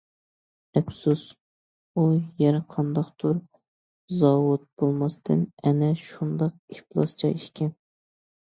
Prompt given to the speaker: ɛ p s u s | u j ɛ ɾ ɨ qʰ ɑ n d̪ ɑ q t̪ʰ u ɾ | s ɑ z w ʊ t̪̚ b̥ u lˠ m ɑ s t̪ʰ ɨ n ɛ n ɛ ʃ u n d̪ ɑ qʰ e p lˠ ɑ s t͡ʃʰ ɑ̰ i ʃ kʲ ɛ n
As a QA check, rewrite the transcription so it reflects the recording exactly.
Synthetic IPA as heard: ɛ p s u s | u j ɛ ɾ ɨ qʰ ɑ n d̪ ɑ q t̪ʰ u ɾ | z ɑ w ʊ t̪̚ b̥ o lˠ m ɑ s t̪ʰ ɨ n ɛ n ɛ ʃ u n d̪ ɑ q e p lˠ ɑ s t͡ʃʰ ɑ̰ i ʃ kʲ ɛ n

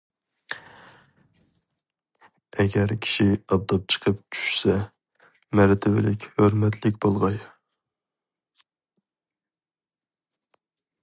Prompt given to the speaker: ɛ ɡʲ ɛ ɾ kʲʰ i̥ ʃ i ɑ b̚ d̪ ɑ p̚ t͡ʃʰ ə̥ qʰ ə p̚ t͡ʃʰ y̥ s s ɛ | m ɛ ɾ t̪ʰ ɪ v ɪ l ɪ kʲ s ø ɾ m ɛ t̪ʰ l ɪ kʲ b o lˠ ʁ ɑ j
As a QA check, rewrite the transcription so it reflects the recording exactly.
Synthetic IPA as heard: ɛ ɡʲ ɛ ɾ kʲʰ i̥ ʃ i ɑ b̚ d̪ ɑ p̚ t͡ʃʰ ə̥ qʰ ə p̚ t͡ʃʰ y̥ ʃ s ɛ | m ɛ ɾ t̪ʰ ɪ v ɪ l ɪ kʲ h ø ɾ m ɛ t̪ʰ l ɪ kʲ b o lˠ ʁ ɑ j

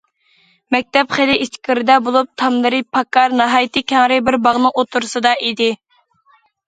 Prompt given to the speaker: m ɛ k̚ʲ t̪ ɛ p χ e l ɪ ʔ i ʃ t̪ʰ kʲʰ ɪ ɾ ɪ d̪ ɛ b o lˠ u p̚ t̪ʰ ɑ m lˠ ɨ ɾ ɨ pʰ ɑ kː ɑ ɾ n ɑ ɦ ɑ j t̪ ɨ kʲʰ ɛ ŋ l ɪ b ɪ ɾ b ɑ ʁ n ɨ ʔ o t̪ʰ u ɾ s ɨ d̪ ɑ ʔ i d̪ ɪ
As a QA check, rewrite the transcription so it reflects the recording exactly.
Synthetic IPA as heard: m ɛ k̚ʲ t̪ ɛ p χ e l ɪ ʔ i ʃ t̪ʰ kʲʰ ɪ ɾ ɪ d̪ ɛ b o lˠ u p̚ t̪ʰ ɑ m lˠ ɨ ɾ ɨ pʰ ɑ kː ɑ ɾ n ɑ ɦ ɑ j t̪ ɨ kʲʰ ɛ ŋ ɾ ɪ b ɪ ɾ b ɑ ʁ n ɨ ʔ o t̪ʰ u ɾ s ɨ d̪ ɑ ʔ i d̪ ɪ

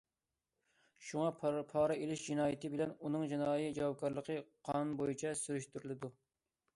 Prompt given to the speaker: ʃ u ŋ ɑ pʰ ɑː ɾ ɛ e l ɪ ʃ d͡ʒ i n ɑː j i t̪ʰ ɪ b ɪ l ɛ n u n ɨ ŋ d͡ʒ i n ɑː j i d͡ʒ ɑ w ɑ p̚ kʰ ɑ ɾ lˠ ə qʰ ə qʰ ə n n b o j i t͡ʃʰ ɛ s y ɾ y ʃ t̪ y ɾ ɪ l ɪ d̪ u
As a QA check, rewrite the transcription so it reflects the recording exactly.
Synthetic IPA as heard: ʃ u ŋ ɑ pʰ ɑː ɾ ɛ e l ɪ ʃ d͡ʒ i n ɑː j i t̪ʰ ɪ b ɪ l ɛ n u n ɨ ŋ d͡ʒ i n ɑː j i d͡ʒ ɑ w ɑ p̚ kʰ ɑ ɾ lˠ ə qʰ ə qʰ ɑ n n b o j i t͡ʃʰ ɛ s y ɾ y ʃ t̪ y ɾ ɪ l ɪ d̪ u

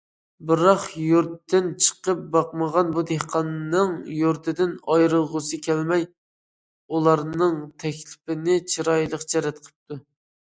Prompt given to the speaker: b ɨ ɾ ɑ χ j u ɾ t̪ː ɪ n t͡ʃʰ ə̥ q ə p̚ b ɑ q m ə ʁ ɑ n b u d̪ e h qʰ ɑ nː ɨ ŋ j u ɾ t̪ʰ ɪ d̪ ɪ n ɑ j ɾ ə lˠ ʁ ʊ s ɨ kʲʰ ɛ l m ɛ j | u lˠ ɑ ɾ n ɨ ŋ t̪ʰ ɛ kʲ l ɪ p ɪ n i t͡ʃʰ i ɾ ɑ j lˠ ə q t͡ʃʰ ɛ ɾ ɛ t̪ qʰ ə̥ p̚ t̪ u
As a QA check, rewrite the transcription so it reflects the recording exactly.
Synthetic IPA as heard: b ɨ ɾ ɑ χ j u ɾ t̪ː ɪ n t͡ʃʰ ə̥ q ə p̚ b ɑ q m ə ʁ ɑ n b u d̪ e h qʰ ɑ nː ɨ ŋ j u ɾ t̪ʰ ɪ d̪ ɪ n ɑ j ɾ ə lˠ ʁ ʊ s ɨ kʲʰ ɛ l m ɛ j | u lˠ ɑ ɾ n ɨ ŋ t̪ʰ ɛ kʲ l ɪ p ɪ n ɪ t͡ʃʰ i ɾ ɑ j lˠ ə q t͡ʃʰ ɛ ɾ ɛ t̪ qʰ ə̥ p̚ t̪ u

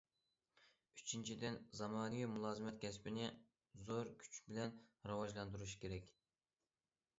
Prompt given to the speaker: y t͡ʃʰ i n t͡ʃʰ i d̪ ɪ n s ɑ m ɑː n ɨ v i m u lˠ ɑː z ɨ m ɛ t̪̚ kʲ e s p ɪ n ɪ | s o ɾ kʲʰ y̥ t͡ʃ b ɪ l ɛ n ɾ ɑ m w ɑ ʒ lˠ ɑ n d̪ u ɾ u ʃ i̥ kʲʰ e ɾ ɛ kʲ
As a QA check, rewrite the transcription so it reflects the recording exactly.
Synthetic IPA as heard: y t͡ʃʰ i n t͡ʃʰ i d̪ ɪ n z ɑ m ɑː n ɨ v i m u lˠ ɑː z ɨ m ɛ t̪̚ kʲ ɛ s p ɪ n ɪ | z o ɾ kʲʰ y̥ t͡ʃ b ɪ l ɛ n ɾ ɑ w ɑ ʒ lˠ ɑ n d̪ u ɾ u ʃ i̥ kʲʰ e ɾ ɛ kʲ

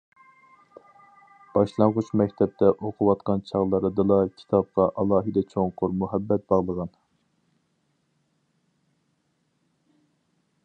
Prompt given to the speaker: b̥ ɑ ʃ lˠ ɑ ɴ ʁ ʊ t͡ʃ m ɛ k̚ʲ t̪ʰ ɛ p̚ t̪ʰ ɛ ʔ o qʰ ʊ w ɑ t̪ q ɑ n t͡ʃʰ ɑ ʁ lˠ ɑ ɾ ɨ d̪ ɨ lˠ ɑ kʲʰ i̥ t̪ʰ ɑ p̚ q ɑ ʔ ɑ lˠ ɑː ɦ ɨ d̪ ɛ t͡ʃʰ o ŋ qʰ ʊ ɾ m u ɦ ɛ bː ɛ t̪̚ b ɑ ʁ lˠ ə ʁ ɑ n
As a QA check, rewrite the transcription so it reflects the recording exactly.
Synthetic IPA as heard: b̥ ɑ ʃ lˠ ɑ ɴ ʁ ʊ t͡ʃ m ɛ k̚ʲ t̪ʰ ɛ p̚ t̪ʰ ɛ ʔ o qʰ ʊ w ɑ t̪ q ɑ n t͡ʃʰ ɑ ʁ lˠ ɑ ɾ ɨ d̪ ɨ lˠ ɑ kʲʰ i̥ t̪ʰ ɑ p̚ q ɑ ʔ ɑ lˠ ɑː ɦ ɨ d̪ ɛ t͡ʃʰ o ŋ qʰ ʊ ɾ m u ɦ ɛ bː ɛ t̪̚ b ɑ ʁ lˠ ə ʁ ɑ n

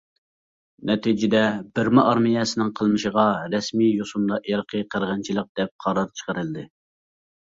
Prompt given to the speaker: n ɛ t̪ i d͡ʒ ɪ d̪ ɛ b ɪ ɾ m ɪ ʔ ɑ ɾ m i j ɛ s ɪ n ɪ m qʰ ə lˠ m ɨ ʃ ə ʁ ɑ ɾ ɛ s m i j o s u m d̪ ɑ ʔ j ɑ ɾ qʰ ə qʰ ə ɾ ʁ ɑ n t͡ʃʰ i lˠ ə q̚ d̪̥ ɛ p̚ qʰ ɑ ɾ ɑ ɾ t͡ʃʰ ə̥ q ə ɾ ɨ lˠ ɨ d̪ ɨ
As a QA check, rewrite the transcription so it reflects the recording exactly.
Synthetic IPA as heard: n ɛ t̪ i d͡ʒ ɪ d̪ ɛ b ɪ ɾ m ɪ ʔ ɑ ɾ m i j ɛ s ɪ n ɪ ŋ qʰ ə lˠ m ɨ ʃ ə ʁ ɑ ɾ ɛ s m i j o s u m d̪ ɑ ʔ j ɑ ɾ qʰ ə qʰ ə ɾ ʁ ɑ n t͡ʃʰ i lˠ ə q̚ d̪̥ ɛ p̚ qʰ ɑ ɾ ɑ ɾ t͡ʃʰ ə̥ q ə ɾ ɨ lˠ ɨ d̪ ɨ

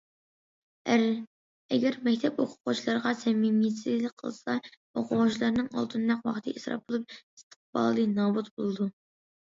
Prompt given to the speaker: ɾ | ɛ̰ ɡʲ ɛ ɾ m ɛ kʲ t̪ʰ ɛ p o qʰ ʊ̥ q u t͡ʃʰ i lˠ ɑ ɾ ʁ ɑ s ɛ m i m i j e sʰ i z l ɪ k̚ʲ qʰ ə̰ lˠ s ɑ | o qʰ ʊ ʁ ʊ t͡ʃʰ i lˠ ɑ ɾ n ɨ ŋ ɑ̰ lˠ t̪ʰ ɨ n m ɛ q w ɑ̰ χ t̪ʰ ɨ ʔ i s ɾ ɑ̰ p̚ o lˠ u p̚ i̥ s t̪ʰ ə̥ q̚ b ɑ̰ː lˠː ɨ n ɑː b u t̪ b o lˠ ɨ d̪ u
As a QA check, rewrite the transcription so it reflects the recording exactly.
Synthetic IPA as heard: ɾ | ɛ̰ ɡʲ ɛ ɾ m ɛ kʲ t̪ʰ ɛ p o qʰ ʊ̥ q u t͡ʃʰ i lˠ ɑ ɾ ʁ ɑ s ɛ m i m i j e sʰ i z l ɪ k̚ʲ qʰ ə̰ lˠ s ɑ | o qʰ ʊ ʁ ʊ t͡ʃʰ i lˠ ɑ ɾ n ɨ ŋ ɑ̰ lˠ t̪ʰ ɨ n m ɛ q w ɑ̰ χ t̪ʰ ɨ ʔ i s ɾ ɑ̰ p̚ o lˠ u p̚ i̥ s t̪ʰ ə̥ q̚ b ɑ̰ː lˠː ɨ n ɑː b u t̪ b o lˠ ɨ d̪ u

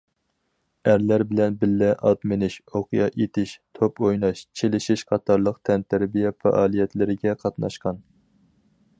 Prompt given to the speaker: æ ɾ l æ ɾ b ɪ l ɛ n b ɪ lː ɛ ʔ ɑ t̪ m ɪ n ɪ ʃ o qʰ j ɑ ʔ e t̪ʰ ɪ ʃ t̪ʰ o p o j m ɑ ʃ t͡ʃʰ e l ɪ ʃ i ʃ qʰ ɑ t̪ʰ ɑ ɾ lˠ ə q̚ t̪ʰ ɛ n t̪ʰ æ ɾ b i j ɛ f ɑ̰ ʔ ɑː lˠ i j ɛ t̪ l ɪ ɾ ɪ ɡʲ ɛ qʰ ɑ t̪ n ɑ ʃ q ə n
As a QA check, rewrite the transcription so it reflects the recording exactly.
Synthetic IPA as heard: æ ɾ l æ ɾ b ɪ l ɛ n b ɪ lː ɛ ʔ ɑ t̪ m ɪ n ɪ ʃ o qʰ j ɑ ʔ e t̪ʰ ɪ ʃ t̪ʰ o p o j n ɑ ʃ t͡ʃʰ e l ɪ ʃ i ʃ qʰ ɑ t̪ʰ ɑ ɾ lˠ ə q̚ t̪ʰ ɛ n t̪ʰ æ ɾ b i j ɛ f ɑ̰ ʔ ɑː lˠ i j ɛ t̪ l ɪ ɾ ɪ ɡʲ ɛ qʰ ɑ t̪ n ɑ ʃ q ɑ n

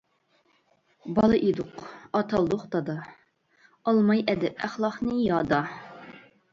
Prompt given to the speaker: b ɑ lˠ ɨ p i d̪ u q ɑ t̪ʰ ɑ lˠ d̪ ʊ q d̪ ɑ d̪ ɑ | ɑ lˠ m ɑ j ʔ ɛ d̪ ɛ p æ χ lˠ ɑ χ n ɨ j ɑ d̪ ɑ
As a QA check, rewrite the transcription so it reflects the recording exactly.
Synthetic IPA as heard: b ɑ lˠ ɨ ʔ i d̪ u q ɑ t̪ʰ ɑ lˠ d̪ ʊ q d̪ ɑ d̪ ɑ | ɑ lˠ m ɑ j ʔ ɛ d̪ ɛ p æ χ lˠ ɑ χ n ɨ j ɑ d̪ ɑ

